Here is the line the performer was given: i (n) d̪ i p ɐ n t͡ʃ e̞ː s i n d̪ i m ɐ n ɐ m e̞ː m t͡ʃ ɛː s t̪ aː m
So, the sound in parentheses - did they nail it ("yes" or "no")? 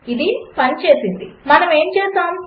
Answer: no